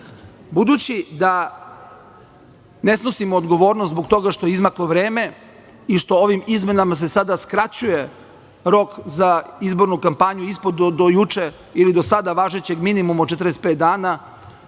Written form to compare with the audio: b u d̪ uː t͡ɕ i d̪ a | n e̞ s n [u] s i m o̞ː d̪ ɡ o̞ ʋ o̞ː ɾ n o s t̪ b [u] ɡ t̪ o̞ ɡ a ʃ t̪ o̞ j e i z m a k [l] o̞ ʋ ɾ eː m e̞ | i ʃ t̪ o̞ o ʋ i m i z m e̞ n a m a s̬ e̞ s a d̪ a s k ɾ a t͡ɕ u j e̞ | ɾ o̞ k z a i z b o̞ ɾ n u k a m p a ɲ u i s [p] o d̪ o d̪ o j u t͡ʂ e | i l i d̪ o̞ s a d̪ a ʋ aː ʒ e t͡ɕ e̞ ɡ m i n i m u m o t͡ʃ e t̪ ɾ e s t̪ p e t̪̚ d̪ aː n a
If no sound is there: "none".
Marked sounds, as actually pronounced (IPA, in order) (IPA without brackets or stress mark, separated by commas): o, o, l, p